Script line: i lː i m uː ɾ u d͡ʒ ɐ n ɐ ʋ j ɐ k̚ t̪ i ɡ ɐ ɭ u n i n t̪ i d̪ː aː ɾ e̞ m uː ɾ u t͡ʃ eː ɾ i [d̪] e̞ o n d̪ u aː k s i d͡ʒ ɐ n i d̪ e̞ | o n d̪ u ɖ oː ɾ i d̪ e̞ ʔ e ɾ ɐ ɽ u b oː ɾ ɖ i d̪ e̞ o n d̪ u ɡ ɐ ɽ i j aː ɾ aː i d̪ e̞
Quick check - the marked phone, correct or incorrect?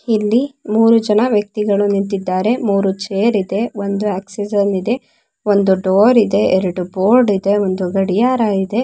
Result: correct